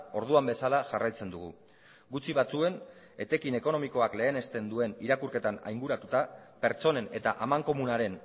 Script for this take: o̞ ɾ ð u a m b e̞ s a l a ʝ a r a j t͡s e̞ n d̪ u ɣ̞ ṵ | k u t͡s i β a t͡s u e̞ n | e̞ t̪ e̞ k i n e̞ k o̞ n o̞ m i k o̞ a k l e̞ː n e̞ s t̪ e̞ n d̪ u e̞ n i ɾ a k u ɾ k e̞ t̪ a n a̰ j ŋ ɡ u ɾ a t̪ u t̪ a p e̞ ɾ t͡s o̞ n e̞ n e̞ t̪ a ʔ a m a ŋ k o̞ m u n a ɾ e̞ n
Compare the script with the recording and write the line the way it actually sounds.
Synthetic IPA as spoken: o̞ ɾ ð u a m b e̞ s a l a ʝ a r a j t͡s e̞ n d̪ u ɣ̞ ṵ | ɡ u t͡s i β a t͡s u e̞ n | e̞ t̪ e̞ k i n e̞ k o̞ n o̞ m i k o̞ a k l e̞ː n e̞ s t̪ e̞ n d̪ u e̞ n i ɾ a k u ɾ k e̞ t̪ a n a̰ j ŋ ɡ u ɾ a t̪ u t̪ a p e̞ ɾ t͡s o̞ n e̞ n e̞ t̪ a ʔ a m a ŋ k o̞ m u n a ɾ e̞ n

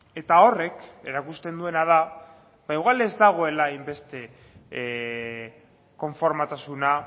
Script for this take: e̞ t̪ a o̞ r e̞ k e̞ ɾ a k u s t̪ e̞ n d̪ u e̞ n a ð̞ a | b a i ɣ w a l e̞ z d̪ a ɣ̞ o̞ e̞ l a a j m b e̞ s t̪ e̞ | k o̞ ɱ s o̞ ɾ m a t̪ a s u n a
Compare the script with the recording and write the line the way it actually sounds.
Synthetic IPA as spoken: e̞ t̪ a o̞ r e̞ k e̞ ɾ a k u s t̪ e̞ n d̪ u e̞ n a ð̞ a | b a i ɣ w a l e̞ z d̪ a ɣ̞ o̞ e̞ l a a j m b e̞ s t̪ e̞ | k o̞ ɱ f o̞ ɾ m a t̪ a s u n a

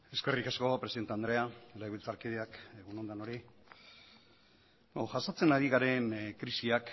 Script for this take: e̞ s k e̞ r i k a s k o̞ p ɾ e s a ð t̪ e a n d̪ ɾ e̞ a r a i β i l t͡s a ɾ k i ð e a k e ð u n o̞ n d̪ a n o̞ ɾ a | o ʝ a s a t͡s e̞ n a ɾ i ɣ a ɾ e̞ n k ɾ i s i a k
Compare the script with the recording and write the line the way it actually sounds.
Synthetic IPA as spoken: e̞ s k e̞ r i k a s k o̞ p ɾ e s i ð t̪ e a n d̪ ɾ e̞ a l a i β i l t͡s a ɾ k i ð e a k e ɣ u n o̞ n d̪ a n o̞ ɾ i | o ʝ a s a t͡s e̞ n a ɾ i ɣ a ɾ e̞ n k ɾ i s i a k

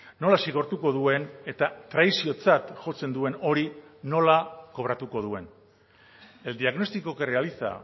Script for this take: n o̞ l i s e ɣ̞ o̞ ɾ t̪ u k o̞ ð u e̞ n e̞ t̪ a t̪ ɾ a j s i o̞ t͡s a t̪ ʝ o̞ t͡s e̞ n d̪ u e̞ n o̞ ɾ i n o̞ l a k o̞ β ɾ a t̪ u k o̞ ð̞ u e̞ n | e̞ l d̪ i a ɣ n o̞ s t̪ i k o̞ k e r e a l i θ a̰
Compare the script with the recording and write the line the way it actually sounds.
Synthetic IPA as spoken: n o̞ l a s i ɣ̞ o̞ ɾ t̪ u k o̞ ð u e̞ n e̞ t̪ a t̪ ɾ a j s i o̞ t͡s a t̪ ʝ o̞ t͡s e̞ n d̪ u e̞ n o̞ ɾ i n o̞ l a k o̞ β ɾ a t̪ u k o̞ ð̞ u e̞ n | e̞ l d̪ i a ɣ n o̞ s t̪ i k o̞ k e r e a l i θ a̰

